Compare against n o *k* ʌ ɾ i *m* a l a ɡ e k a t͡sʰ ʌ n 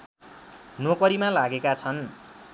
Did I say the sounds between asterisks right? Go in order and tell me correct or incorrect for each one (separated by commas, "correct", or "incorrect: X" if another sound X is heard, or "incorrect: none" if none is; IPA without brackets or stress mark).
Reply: correct, correct